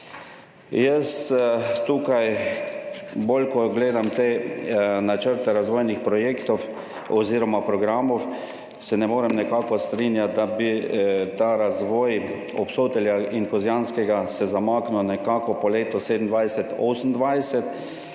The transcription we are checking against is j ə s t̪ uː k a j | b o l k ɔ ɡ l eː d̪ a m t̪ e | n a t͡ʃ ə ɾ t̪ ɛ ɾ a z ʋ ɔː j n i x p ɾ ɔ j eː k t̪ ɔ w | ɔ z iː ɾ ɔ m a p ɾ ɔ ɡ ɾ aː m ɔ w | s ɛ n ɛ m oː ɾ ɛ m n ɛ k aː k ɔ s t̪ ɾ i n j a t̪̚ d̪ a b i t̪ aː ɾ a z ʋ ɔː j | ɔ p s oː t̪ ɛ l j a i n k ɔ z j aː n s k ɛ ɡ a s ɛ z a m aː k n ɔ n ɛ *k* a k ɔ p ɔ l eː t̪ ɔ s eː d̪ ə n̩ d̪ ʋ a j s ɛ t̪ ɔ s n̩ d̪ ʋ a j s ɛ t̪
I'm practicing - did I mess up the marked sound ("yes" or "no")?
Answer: no